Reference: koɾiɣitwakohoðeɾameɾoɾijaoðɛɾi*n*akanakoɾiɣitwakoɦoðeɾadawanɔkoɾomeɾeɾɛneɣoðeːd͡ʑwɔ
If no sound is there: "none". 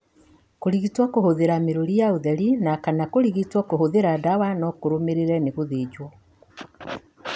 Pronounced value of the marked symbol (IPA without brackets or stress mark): n